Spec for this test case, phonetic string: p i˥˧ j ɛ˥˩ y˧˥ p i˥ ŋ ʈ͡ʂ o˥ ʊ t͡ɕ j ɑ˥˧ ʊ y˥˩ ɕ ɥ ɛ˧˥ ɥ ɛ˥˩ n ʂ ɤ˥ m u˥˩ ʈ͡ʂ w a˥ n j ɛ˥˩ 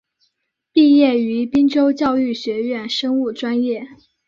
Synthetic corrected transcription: p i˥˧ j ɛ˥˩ y˧˥ p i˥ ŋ ʈ͡ʂ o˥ ʊ t͡ɕ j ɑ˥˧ ʊ y˥˩ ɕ ɥ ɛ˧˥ ɥ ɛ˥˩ n ʂ ɤ˥ ŋ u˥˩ ʈ͡ʂ w a˥ n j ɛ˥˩